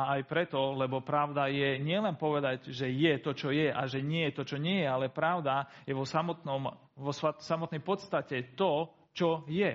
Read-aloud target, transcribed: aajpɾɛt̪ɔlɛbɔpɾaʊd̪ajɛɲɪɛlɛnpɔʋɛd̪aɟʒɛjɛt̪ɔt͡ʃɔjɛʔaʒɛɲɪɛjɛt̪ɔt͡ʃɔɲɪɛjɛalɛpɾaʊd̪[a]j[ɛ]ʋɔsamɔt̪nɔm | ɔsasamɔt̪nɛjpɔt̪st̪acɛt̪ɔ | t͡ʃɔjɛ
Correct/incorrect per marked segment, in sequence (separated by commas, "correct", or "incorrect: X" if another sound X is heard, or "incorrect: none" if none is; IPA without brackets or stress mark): correct, correct